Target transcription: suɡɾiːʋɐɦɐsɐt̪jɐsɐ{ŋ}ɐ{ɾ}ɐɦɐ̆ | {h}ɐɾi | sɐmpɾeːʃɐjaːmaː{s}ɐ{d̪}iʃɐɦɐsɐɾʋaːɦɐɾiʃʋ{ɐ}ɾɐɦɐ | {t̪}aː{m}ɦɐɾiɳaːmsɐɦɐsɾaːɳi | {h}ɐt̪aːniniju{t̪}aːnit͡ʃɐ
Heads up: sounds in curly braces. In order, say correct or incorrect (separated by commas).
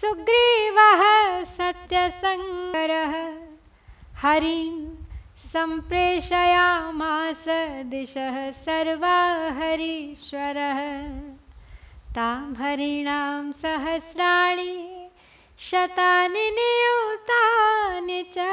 correct, correct, correct, correct, correct, correct, correct, correct, incorrect, correct